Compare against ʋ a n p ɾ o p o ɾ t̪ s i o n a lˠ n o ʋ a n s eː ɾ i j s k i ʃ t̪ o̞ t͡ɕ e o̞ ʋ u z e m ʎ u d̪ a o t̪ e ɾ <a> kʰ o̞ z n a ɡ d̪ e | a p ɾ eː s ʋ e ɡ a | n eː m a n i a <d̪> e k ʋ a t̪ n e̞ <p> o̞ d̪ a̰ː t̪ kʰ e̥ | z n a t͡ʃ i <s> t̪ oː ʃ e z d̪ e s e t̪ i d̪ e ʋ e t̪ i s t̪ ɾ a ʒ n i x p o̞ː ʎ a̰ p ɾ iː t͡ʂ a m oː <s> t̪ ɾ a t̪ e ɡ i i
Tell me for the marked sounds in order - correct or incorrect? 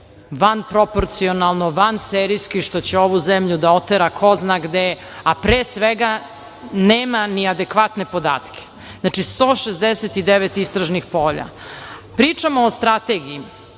correct, correct, correct, correct, correct

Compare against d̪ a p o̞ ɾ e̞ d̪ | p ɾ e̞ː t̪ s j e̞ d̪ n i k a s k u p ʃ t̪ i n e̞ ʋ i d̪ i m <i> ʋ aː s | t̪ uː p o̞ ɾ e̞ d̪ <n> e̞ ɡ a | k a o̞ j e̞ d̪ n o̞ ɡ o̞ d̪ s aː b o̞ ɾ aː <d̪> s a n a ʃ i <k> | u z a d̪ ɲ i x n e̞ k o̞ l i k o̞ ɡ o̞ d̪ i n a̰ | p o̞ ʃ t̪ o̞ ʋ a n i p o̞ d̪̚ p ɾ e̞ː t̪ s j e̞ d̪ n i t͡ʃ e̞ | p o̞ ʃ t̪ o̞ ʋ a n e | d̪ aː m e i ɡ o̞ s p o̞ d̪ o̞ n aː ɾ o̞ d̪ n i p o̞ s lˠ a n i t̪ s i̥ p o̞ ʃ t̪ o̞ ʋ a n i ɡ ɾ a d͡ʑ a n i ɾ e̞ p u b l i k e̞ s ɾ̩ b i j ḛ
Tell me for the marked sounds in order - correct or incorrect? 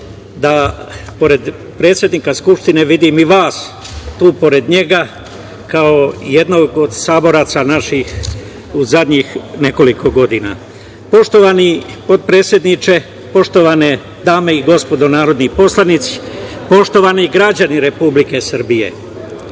correct, incorrect: ɲ, incorrect: t̪, incorrect: x

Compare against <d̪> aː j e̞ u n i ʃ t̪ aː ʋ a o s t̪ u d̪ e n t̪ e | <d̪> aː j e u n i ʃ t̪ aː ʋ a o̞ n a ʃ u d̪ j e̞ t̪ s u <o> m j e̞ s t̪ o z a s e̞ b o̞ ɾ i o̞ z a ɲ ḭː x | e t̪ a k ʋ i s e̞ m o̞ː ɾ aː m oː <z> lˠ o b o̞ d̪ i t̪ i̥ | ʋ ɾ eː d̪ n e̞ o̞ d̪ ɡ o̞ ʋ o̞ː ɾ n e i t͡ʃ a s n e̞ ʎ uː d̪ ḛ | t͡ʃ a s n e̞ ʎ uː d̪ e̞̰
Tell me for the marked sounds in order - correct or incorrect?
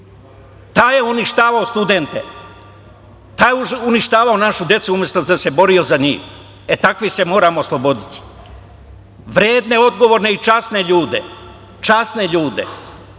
incorrect: t̪, incorrect: t̪, incorrect: u, incorrect: s

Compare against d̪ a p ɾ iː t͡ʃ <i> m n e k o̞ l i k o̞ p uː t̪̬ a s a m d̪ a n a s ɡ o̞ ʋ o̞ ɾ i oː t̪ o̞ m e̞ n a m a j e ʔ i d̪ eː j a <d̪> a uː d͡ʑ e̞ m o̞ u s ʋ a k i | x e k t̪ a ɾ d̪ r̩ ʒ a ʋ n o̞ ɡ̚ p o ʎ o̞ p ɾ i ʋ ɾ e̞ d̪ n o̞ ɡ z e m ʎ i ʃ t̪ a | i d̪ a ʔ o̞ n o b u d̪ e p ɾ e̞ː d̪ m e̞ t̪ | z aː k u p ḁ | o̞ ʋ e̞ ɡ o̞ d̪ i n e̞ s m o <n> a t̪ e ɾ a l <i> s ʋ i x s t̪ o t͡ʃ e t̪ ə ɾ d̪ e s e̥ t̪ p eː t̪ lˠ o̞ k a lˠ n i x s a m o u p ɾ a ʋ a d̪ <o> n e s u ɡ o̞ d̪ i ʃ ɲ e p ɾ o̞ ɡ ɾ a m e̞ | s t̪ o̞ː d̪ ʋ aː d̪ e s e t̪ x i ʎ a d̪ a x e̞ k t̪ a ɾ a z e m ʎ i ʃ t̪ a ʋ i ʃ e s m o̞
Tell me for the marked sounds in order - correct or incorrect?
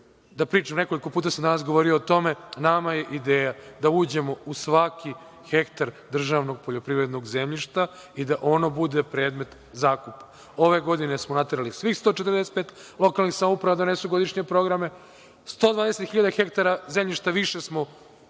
incorrect: a, correct, correct, correct, correct

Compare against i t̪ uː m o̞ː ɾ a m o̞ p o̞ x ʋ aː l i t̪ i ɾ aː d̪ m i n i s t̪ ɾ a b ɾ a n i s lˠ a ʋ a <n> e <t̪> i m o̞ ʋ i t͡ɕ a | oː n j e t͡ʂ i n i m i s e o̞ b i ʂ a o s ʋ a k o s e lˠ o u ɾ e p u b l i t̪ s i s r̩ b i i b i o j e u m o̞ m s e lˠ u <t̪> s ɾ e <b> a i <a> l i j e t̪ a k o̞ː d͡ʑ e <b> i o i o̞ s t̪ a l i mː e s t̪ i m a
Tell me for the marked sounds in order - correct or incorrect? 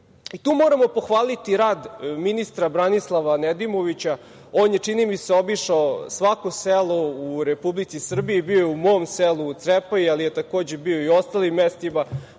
correct, incorrect: d̪, correct, incorrect: p, correct, correct

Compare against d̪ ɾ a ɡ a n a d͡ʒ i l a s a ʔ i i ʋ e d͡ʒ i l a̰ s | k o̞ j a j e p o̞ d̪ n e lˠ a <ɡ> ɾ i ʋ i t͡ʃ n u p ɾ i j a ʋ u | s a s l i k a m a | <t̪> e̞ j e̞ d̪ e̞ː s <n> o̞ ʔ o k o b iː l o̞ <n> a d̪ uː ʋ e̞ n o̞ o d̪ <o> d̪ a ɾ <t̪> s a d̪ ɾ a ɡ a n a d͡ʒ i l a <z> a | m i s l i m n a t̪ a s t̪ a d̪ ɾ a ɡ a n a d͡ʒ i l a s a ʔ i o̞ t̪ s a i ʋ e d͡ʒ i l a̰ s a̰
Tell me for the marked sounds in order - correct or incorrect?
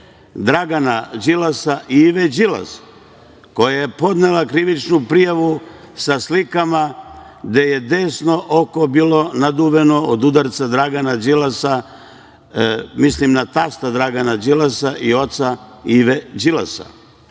incorrect: k, incorrect: d̪, correct, correct, incorrect: u, correct, incorrect: s

